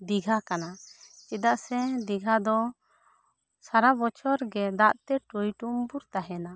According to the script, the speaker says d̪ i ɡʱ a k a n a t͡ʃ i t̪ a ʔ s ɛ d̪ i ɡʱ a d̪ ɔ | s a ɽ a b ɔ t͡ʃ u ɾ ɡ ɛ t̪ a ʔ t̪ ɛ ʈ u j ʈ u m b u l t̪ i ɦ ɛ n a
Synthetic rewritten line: d̪ i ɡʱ a k a n a t͡ʃ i d̪ a ʔ s ɛ d̪ i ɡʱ a d̪ ɔ | s a ɾ a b ɔ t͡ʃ ɔ ɾ ɡ ɛ d̪ a ʔ t̪ ɛ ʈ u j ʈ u m b u ɾ t̪ a ɦ ɛ n a